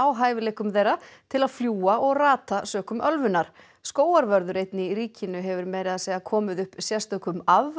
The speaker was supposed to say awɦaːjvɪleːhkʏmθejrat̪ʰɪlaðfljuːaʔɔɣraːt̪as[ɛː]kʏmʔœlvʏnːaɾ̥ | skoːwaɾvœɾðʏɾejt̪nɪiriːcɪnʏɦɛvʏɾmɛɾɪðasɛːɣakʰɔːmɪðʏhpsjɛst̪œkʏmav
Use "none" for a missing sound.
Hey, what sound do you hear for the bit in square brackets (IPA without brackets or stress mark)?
œː